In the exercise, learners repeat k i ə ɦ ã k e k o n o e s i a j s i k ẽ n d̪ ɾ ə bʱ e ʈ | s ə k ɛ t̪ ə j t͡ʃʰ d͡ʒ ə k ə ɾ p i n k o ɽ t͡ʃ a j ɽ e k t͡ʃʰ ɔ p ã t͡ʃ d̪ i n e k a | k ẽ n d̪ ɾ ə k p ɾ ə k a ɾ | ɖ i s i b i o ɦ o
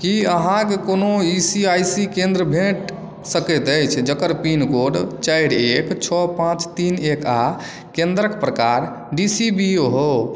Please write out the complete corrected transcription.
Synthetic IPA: k i ə ɦ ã k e k o n o i s i a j s i k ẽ n d̪ ɾ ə bʱ e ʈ | s ə k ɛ t̪ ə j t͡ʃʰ d͡ʒ ə k ə ɾ p i n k o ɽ t͡ʃ a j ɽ e k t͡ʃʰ ɔ p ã t͡ʃ t̪ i n e k a | k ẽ n d̪ ɾ ə k p ɾ ə k a ɾ | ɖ i s i b i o ɦ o